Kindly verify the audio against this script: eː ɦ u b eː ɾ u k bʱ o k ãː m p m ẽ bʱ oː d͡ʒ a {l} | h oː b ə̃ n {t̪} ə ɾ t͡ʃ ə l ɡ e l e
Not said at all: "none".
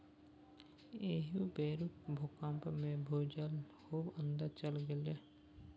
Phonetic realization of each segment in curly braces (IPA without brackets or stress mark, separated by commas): l, d̪